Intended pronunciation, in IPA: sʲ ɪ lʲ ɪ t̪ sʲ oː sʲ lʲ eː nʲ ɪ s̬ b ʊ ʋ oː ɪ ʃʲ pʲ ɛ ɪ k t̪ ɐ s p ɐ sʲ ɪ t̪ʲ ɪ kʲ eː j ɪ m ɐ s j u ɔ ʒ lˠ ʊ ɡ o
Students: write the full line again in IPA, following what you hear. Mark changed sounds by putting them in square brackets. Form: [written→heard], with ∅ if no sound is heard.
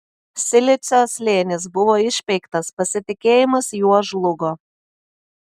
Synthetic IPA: sʲ ɪ lʲ ɪ t̪ sʲ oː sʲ lʲ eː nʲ ɪ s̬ b ʊ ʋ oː ɪ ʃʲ pʲ ɛ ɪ k t̪ ɐ s p ɐ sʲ ɪ t̪ʲ ɪ kʲ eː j ɪ m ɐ s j u ɔ ʒ lˠ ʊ ɡ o